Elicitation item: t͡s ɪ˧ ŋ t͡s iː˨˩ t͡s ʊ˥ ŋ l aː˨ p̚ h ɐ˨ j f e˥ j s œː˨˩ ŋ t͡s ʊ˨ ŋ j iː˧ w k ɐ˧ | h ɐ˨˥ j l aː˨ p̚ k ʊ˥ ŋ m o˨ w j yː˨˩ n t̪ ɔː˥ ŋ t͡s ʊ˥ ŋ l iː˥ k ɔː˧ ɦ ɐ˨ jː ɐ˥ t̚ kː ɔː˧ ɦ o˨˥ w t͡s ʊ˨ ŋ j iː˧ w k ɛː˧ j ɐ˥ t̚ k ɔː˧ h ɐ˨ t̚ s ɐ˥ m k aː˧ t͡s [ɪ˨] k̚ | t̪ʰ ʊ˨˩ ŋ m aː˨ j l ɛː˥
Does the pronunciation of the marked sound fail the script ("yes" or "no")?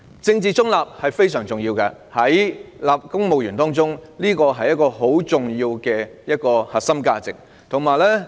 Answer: no